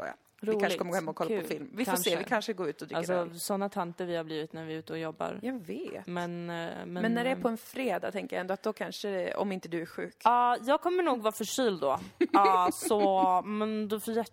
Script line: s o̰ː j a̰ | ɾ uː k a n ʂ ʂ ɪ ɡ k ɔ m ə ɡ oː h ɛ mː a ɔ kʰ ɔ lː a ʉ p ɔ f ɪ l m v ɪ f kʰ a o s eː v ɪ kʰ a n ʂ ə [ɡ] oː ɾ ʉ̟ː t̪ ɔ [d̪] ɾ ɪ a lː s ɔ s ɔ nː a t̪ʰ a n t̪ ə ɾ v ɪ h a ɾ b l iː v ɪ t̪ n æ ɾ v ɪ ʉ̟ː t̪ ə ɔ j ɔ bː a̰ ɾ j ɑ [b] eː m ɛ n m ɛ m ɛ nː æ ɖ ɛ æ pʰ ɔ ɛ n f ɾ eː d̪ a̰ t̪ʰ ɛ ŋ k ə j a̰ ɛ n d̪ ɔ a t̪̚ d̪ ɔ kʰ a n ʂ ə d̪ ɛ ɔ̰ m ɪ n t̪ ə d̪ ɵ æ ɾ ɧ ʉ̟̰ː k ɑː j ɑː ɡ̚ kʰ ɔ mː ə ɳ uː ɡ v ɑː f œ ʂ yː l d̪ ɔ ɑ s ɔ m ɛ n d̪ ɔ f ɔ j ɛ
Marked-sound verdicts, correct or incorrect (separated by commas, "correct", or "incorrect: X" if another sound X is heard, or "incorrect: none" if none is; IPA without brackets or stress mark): correct, correct, incorrect: v